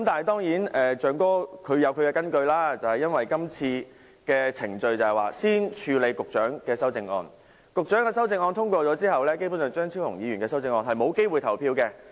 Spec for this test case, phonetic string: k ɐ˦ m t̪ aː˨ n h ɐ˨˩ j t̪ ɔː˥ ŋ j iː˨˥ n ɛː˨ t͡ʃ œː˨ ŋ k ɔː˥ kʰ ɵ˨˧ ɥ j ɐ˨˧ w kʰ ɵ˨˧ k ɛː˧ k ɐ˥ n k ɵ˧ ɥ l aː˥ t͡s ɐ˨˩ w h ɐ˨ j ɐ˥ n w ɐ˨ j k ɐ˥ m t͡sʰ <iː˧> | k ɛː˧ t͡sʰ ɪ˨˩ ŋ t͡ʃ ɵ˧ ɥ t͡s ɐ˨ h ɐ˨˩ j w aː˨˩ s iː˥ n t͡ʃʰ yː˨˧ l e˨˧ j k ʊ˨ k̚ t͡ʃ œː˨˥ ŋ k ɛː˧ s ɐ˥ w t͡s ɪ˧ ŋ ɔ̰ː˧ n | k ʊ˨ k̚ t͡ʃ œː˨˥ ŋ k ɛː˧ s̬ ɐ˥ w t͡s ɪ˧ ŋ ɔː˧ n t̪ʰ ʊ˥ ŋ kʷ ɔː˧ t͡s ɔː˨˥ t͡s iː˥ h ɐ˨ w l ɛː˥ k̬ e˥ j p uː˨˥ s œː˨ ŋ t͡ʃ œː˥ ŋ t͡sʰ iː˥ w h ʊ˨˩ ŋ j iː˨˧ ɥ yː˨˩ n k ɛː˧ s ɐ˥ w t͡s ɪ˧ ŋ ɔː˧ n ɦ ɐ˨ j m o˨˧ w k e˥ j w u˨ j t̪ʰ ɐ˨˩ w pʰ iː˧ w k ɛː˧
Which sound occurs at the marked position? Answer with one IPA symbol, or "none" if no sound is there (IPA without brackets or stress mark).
iː˧